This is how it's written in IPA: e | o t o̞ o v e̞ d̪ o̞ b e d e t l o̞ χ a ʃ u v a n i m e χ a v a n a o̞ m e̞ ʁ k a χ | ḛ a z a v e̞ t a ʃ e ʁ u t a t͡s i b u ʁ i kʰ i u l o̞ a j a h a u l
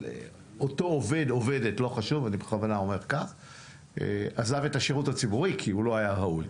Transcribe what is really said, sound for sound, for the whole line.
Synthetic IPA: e | o t o̞ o v e̞ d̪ o̞ v e d e t l o̞ χ a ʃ u v a n i b e χ a v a n a o̞ m e̞ ʁ k a χ | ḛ a z a v e̞ t a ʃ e ʁ u t a t͡s i b u ʁ i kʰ i u l o̞ a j a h a u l